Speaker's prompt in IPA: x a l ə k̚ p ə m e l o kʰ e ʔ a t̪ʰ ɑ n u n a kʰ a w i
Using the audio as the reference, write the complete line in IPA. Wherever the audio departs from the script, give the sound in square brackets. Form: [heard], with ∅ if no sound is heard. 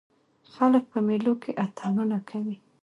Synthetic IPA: x a l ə k̚ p ə m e l o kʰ e ʔ a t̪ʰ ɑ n u n a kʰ a w i